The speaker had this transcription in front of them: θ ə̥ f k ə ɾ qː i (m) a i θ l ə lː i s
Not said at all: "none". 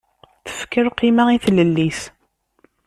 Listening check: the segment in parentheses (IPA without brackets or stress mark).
m